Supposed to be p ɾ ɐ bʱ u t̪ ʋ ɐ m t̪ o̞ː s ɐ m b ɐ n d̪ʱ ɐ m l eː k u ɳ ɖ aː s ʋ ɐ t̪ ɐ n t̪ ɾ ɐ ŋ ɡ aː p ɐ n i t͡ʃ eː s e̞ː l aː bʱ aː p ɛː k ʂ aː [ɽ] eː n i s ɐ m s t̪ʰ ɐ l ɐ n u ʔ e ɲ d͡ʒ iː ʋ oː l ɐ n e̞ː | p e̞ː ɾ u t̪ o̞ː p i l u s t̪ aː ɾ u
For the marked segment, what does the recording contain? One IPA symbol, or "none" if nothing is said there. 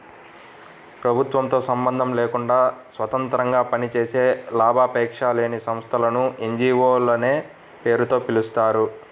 l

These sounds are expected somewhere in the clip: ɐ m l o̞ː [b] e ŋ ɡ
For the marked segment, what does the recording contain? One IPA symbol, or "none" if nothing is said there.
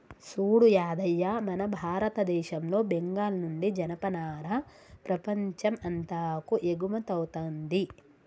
b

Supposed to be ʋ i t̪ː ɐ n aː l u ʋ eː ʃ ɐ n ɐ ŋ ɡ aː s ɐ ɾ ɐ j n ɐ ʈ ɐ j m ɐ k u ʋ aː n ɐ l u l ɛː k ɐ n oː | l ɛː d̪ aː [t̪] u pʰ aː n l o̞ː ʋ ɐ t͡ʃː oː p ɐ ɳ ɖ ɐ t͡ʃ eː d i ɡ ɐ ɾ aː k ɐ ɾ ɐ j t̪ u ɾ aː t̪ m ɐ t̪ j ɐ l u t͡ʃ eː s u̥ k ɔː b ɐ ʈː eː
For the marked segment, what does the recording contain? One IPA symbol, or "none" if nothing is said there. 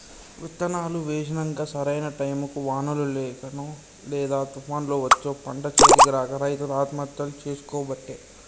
t̪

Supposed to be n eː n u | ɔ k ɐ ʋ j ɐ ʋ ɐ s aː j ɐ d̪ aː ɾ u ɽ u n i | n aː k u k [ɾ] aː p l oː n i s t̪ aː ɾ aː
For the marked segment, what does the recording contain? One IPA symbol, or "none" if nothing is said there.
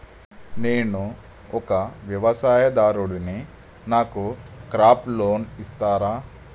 ɾ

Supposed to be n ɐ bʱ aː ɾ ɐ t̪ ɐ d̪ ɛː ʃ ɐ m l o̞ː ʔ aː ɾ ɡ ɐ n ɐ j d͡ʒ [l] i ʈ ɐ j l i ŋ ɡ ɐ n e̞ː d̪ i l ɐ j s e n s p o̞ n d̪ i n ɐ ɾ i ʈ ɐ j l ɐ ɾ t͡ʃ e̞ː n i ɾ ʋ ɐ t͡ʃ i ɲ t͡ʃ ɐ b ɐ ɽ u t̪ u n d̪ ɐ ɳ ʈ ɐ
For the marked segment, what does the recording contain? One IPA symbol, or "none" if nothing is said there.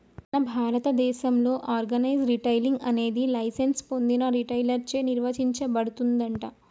ɾ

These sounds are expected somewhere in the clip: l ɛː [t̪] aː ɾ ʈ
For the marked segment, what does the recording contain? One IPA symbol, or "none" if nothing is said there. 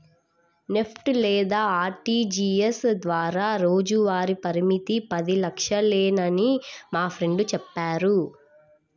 d̪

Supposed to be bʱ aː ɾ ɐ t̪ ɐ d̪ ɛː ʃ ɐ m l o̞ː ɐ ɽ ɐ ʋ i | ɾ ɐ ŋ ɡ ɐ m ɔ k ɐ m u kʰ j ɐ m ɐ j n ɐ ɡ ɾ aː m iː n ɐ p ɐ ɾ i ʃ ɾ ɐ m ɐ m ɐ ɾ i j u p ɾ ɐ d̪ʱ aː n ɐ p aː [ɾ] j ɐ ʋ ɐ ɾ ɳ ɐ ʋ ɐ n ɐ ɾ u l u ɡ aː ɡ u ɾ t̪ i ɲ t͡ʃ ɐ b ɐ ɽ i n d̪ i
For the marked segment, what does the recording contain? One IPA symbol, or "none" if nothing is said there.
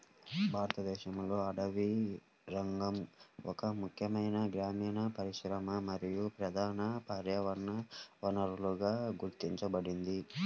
ɾ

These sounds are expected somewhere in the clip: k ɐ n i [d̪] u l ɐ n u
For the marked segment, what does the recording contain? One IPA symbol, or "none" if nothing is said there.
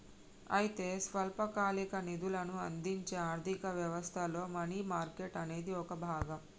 d̪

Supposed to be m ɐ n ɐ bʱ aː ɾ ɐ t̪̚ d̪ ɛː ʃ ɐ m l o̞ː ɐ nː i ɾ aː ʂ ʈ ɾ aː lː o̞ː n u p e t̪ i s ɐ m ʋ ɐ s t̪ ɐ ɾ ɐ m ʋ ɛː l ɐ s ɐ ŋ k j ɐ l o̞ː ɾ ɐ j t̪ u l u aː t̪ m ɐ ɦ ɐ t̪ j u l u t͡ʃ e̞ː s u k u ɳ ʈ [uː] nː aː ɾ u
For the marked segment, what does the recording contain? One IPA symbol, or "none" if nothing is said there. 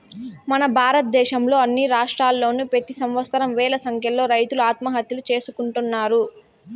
u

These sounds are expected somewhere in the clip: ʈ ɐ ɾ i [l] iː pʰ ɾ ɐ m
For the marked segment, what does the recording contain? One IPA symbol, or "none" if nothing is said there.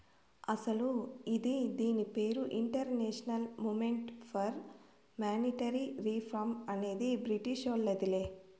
ɾ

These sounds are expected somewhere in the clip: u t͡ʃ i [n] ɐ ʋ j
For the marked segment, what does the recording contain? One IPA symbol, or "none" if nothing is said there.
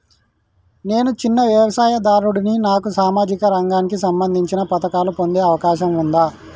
nː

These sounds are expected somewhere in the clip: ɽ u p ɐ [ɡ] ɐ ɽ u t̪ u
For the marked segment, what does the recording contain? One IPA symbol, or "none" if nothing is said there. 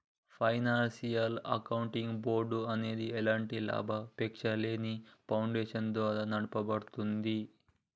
b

